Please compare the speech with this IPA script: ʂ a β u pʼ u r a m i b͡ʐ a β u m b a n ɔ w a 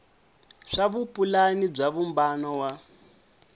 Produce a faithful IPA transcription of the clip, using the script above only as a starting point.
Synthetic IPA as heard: ʂ a β u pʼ u l a n i b͡ʐ a β u m b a n ɔ w a